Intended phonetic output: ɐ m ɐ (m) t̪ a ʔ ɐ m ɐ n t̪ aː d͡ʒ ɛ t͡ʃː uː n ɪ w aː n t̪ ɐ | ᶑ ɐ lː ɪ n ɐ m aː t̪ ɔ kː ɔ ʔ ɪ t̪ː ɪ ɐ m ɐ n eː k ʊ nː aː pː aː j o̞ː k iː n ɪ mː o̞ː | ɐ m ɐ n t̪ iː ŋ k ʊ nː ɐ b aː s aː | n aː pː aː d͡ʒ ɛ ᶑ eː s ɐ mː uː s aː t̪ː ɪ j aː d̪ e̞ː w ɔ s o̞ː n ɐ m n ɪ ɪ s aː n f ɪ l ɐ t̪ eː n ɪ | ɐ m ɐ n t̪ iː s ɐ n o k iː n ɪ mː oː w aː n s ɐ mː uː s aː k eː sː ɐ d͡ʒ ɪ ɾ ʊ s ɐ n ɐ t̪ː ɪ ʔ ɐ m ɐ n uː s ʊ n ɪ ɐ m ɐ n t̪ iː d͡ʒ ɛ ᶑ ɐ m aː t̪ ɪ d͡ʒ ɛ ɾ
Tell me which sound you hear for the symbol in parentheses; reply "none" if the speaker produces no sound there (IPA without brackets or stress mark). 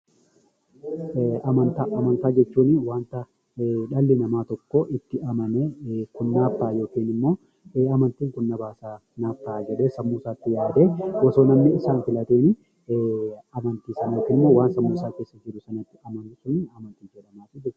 n